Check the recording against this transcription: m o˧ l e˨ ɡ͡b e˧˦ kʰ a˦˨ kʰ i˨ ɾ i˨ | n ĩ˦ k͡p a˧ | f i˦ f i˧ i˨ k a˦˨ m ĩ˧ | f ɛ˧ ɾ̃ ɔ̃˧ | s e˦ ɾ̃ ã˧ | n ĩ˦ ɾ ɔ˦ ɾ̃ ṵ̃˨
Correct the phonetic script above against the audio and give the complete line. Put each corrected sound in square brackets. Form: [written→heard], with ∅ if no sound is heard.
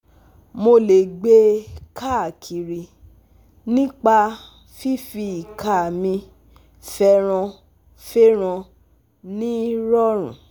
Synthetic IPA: m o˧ l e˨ ɡ͡b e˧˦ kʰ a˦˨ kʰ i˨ ɾ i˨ | n ĩ˦ k͡p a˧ | f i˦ f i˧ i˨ k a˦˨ m ĩ˧ | f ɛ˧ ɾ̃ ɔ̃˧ | [s→f] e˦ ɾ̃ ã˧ | n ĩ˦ ɾ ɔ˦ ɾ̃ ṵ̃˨